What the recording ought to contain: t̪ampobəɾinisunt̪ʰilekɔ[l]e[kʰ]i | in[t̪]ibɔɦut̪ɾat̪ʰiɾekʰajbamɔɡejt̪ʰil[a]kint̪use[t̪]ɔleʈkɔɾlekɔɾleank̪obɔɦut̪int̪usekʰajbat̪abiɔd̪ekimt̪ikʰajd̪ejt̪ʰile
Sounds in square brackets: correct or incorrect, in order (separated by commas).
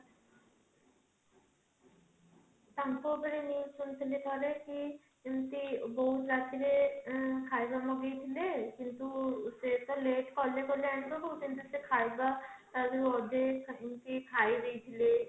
incorrect, incorrect, correct, incorrect, correct